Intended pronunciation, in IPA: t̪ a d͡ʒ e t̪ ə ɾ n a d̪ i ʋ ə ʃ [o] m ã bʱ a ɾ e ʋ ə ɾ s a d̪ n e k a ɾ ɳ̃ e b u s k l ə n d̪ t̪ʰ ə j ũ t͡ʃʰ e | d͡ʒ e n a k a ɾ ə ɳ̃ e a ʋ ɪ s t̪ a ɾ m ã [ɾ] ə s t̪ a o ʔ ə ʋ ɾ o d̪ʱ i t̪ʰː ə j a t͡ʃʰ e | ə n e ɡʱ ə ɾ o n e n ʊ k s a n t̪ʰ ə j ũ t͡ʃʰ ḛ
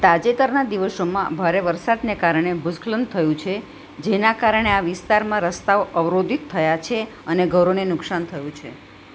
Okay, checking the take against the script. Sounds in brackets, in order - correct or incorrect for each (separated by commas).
correct, correct